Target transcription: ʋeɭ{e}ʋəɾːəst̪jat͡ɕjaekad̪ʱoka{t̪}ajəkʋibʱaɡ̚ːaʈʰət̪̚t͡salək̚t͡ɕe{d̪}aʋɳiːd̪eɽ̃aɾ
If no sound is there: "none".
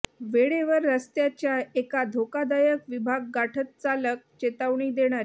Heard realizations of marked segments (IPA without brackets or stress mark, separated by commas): e, d̪, t̪